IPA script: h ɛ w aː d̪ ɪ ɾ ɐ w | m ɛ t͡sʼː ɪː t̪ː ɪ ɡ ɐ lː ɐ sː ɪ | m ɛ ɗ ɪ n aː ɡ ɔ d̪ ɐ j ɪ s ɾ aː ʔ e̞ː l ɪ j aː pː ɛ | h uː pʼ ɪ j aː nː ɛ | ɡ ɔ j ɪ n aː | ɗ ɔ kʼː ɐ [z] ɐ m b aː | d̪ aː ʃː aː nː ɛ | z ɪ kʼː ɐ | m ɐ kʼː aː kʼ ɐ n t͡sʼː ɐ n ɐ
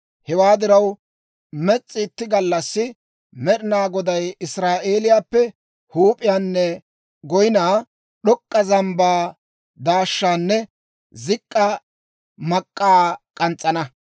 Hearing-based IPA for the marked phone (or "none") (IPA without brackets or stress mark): z